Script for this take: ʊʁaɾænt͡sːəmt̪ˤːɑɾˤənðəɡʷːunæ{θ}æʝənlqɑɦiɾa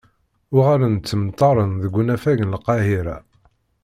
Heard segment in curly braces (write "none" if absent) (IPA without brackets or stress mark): f